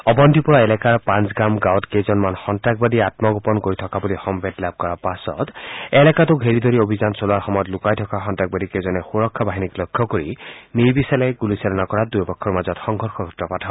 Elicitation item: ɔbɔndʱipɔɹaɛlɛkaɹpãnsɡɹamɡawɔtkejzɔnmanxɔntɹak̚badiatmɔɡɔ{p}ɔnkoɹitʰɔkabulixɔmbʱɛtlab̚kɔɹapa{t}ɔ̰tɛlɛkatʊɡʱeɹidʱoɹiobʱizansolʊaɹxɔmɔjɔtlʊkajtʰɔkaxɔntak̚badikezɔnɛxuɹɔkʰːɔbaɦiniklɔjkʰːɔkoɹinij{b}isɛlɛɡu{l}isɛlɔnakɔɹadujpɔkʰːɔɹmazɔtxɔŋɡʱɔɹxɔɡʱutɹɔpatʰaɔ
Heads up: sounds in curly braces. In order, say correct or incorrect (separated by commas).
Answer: correct, incorrect, correct, correct